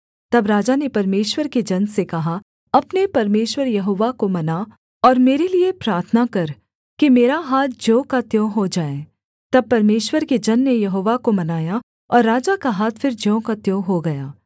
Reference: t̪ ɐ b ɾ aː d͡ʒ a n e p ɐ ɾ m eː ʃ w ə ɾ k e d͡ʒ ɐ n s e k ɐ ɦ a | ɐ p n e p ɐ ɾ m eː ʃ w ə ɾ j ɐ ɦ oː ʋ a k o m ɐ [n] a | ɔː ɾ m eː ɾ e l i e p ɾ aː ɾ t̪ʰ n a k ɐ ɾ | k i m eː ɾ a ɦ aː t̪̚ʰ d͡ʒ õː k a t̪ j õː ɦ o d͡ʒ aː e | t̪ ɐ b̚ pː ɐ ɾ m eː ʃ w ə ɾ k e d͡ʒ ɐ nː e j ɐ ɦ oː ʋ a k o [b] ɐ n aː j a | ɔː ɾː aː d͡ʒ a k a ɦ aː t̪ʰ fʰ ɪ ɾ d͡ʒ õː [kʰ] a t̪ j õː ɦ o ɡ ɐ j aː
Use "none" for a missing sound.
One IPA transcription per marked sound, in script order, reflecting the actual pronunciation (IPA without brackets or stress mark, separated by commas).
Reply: n, m, k